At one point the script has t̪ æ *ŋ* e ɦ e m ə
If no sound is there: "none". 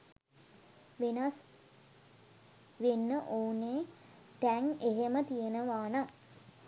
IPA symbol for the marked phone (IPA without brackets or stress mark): ŋ